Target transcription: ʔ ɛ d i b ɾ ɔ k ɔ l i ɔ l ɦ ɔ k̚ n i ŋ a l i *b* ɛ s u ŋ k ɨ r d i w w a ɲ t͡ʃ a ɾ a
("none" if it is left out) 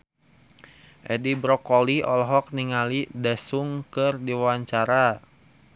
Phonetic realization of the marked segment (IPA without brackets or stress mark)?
d